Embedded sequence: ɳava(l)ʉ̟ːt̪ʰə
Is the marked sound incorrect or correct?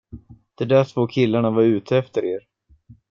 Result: incorrect